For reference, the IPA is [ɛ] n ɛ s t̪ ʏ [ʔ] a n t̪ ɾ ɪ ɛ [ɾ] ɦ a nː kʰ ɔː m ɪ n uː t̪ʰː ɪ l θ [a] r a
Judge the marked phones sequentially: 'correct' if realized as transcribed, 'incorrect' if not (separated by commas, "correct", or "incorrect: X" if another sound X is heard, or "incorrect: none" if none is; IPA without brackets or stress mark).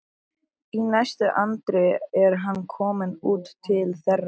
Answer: incorrect: i, correct, correct, incorrect: ɛ